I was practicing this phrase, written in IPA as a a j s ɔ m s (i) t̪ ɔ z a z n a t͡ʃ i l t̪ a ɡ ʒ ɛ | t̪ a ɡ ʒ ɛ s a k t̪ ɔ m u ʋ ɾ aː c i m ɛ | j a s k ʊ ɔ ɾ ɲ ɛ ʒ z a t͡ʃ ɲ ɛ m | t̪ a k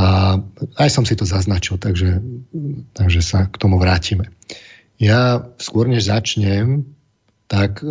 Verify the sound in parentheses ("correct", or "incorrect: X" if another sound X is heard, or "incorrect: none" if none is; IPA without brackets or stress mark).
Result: correct